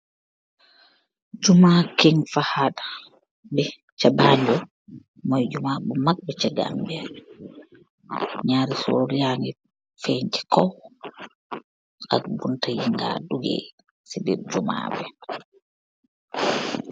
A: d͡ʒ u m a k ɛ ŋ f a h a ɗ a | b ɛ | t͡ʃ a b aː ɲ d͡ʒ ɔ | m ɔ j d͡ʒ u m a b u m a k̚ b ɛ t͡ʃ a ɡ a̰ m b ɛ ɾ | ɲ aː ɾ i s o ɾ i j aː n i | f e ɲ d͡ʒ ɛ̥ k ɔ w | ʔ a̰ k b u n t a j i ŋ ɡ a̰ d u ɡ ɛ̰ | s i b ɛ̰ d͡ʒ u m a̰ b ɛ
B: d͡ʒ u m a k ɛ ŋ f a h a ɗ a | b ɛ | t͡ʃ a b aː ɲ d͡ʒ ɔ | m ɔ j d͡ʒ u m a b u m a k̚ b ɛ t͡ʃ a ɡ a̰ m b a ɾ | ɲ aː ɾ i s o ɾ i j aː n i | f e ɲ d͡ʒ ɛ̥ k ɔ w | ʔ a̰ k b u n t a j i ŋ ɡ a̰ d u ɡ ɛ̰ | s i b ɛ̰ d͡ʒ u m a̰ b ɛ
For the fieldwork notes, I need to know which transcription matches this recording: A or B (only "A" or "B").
A